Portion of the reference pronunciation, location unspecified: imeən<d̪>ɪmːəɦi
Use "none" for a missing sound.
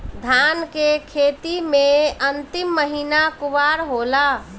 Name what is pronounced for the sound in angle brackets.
t̪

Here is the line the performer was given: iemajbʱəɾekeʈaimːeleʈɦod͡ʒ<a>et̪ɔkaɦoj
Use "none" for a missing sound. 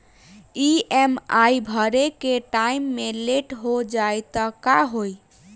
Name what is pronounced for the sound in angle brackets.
a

